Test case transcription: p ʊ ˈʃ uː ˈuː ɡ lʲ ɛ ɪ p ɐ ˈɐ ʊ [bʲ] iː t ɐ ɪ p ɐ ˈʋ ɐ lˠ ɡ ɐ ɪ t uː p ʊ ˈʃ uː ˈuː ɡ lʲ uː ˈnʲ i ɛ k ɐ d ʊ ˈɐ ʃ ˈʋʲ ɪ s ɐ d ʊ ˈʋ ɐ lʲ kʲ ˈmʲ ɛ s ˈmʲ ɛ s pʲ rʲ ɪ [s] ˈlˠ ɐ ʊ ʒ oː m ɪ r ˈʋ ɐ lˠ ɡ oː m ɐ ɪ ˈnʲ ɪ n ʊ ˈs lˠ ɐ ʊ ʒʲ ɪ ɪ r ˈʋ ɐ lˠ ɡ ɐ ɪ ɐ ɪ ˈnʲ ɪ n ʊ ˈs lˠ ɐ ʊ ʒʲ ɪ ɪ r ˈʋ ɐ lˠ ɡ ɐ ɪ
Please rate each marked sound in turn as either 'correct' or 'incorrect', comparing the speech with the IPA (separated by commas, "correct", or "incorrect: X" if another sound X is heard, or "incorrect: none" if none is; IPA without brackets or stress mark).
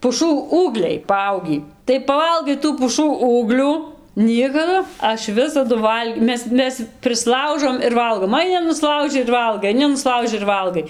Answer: incorrect: ɡʲ, correct